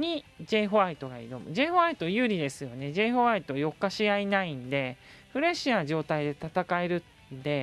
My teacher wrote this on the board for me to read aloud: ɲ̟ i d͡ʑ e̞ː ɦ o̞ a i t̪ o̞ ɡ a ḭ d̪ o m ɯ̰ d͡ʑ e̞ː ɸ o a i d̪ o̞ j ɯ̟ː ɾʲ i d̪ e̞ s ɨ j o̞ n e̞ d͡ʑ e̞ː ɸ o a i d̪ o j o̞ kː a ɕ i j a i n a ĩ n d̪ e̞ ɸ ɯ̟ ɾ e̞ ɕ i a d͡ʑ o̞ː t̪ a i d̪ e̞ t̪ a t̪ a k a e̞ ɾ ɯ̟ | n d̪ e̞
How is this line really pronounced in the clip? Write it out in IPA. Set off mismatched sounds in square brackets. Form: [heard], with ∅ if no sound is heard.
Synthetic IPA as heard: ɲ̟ i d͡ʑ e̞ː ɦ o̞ a i t̪ o̞ ɡ a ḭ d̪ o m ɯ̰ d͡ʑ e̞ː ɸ o a i [t̪] o̞ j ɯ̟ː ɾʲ i d̪ e̞ s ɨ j o̞ n e̞ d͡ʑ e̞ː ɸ o a i [t̪] o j o̞ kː a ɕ i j a i n a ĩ n d̪ e̞ ɸ ɯ̟ ɾ e̞ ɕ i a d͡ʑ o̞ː t̪ a i d̪ e̞ t̪ a t̪ a k a e̞ ɾ ɯ̟ | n d̪ e̞

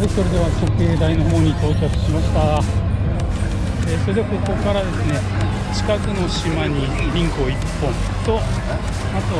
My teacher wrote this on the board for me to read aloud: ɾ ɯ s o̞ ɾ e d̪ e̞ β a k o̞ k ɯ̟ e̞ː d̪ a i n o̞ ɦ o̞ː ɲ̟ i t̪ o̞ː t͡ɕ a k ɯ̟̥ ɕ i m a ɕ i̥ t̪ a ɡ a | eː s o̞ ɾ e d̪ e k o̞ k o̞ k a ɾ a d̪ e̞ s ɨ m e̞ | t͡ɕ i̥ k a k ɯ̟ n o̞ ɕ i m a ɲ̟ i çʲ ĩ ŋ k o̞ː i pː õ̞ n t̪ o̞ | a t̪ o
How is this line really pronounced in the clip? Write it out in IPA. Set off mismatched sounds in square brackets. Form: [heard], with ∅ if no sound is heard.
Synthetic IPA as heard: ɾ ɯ s o̞ ɾ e d̪ e̞ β a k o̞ k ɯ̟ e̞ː d̪ a i n o̞ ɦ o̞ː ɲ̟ i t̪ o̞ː t͡ɕ a k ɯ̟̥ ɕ i m a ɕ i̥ t̪ a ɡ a | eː s o̞ ɾ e d̪ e k o̞ k o̞ k a ɾ a d̪ e̞ s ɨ [n] e̞ | t͡ɕ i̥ k a k ɯ̟ n o̞ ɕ i m a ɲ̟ i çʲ ĩ ŋ k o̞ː i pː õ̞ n t̪ o̞ | a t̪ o

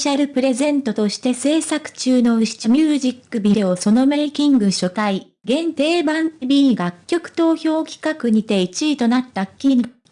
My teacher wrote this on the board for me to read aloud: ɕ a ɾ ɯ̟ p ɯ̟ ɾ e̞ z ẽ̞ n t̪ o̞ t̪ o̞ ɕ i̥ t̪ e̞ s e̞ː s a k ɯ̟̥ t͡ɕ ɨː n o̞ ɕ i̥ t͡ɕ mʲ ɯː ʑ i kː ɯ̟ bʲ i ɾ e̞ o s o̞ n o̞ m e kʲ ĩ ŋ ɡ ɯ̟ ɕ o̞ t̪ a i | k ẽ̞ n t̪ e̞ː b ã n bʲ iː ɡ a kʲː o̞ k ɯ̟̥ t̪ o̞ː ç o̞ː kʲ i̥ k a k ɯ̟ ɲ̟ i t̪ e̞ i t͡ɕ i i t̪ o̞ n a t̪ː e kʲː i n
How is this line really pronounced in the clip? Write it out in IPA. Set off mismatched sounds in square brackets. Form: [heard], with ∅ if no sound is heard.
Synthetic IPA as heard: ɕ a ɾ ɯ̟ p ɯ̟ ɾ e̞ z ẽ̞ n t̪ o̞ t̪ o̞ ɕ i̥ t̪ e̞ s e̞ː s a k ɯ̟̥ t͡ɕ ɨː n o̞ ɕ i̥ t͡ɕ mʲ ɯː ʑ i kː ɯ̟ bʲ i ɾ e̞ o s o̞ n o̞ m e kʲ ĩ ŋ ɡ ɯ̟ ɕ o̞ t̪ a i | [ɡ] ẽ̞ n t̪ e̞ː b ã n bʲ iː ɡ a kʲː o̞ k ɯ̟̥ t̪ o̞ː ç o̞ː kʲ i̥ k a k ɯ̟ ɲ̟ i t̪ e̞ i t͡ɕ i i t̪ o̞ n a t̪ː [a] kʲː i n

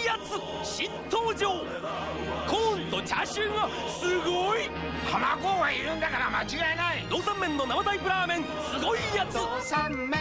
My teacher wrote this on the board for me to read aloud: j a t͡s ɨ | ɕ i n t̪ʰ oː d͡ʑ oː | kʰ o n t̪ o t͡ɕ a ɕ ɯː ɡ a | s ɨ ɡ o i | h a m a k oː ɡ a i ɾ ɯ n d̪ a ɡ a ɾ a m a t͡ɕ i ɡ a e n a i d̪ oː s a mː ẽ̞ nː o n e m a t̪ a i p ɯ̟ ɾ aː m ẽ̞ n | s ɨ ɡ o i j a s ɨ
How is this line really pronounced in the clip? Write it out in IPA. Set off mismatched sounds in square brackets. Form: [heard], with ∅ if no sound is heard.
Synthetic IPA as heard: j a t͡s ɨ | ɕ i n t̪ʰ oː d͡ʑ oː | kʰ o n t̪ o t͡ɕ a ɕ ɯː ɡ a | s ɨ ɡ o i | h a m a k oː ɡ a i ɾ ɯ n d̪ a [k] a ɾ a m a t͡ɕ i ɡ a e n a i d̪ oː s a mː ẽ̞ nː o n [a] m a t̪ a i p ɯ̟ ɾ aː m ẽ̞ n | s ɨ ɡ o i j a [t͡s] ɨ

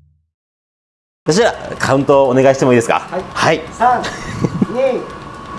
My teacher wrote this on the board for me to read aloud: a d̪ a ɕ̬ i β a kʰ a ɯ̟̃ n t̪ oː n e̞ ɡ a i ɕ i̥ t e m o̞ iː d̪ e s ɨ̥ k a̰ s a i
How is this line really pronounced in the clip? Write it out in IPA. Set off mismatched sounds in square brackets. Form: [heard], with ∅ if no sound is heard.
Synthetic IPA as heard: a [t̪] a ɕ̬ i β a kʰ a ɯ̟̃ n t̪ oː n e̞ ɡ a i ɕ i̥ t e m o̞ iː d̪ e s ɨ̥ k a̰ [h] a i

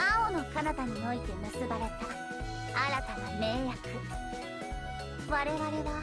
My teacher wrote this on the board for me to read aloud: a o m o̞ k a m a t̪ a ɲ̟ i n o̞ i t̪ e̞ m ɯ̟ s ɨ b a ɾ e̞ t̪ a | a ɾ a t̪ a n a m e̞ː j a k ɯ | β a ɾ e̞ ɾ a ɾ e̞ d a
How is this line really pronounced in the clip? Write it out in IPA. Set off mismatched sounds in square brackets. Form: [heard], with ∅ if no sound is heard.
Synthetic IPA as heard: a o [n] o̞ k a [n] a t̪ a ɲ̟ i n o̞ i t̪ e̞ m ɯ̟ s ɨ b a ɾ e̞ t̪ a | a ɾ a t̪ a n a m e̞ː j a k ɯ | β a ɾ e̞ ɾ a ɾ e̞ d a

